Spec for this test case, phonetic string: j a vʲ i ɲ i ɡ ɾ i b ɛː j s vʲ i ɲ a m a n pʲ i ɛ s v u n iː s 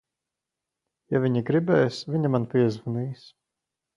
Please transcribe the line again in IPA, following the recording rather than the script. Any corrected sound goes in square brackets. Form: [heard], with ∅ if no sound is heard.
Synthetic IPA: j a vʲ i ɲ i ɡ ɾ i b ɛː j s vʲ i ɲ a m a n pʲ i ɛ [z] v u n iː s